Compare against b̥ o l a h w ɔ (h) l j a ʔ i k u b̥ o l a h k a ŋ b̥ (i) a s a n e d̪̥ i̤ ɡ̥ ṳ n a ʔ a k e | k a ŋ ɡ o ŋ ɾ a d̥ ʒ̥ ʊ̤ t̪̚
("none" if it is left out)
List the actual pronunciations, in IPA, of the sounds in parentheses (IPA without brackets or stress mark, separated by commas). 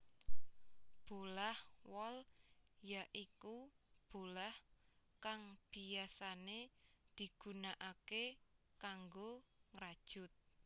none, i